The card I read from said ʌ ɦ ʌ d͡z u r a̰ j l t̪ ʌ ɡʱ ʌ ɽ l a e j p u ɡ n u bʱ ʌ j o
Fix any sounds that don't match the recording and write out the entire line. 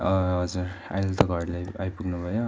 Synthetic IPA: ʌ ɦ ʌ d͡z u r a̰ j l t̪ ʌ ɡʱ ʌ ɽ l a a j p u ɡ n u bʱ ʌ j o